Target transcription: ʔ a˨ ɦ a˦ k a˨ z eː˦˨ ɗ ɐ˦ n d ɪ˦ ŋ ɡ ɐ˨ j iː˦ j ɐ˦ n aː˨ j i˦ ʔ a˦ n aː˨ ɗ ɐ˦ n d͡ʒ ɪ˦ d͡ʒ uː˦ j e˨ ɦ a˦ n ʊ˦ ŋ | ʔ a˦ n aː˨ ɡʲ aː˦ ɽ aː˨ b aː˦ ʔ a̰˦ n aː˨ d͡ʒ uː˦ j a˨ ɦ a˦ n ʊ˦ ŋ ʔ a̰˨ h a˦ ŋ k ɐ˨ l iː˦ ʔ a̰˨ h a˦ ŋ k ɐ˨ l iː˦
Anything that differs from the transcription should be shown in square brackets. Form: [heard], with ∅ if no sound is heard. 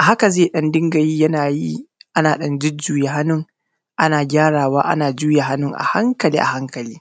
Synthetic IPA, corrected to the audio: ʔ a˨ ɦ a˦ k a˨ z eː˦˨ ɗ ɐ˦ n d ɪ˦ ŋ ɡ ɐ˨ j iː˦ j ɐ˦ n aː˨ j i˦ ʔ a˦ n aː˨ ɗ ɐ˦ n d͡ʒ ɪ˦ d͡ʒ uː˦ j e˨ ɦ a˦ n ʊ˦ ŋ | ʔ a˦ n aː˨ ɡʲ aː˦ ɽ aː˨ [w] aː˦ ʔ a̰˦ n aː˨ d͡ʒ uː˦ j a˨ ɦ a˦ n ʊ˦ ŋ ʔ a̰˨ h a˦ ŋ k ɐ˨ l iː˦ ʔ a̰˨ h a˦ ŋ k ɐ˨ l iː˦

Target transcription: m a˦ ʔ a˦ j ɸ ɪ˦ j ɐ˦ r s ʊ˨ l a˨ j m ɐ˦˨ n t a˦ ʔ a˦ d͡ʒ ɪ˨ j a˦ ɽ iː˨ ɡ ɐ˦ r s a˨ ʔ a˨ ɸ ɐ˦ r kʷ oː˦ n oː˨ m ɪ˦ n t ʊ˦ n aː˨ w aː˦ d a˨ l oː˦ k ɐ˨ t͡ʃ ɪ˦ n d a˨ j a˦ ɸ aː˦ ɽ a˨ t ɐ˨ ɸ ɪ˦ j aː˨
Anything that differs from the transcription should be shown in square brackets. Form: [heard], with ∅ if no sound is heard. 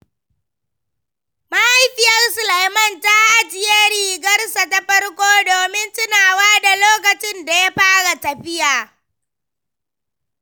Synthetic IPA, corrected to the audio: m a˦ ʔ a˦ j ɸ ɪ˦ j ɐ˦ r s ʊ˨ l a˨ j m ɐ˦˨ n t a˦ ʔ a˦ d͡ʒ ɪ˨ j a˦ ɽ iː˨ ɡ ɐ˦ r s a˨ [t] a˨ ɸ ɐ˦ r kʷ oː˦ [d] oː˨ m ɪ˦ n t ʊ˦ n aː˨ w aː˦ d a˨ l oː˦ k ɐ˨ t͡ʃ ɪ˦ n d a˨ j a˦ ɸ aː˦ ɽ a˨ t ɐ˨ ɸ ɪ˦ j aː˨

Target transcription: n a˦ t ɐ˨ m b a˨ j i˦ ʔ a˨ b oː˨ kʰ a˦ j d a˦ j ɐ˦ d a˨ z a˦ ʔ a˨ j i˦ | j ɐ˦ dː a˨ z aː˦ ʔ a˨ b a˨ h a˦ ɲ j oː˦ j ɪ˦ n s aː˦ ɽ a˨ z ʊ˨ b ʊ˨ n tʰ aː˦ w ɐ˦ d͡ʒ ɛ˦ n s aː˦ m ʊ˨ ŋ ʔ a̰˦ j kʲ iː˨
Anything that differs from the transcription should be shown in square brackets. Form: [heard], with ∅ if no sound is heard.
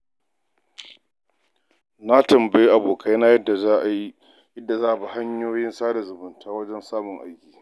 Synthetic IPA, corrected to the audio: n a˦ t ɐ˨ m b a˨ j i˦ ʔ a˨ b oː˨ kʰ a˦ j [n] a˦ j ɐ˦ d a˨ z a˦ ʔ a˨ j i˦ | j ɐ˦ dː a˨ z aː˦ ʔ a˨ b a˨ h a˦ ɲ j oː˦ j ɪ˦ n s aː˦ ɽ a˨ z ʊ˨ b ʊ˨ n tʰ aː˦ w ɐ˦ d͡ʒ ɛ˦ n s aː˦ m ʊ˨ ŋ ʔ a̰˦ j kʲ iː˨

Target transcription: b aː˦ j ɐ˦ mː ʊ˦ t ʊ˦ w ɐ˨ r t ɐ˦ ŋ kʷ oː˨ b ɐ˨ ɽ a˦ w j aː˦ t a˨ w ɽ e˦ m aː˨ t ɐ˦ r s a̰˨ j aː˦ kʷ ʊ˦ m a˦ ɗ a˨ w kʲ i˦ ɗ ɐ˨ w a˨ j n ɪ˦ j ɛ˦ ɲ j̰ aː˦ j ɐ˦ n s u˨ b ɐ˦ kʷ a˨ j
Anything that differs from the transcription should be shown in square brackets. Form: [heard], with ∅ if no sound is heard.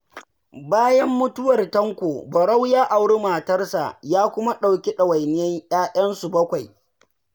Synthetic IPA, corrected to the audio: b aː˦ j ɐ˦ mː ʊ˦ t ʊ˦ w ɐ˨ r t ɐ˦ ŋ kʷ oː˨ b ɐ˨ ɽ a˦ w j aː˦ [ʔ] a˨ w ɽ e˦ m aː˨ t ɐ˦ r s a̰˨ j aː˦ kʷ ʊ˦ m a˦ ɗ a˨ w kʲ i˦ ɗ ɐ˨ w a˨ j n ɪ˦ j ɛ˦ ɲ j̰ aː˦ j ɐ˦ n s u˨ b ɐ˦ kʷ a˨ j

